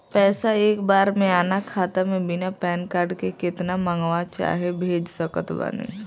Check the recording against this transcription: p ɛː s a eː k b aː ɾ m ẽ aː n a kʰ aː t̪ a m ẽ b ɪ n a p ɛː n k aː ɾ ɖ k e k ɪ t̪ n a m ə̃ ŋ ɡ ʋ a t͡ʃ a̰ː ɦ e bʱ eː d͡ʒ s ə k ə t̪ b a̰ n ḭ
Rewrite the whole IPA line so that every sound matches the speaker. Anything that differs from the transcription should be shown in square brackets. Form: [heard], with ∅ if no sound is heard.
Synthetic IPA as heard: p ɛː s a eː k b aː ɾ m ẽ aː n a kʰ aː t̪ a m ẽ b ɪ n a p ɛː n k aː ɾ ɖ k e k ɪ t̪ n a m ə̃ ŋ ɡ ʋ a t͡ʃ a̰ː ɦ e bʱ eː d͡ʒ s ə k ə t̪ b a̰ n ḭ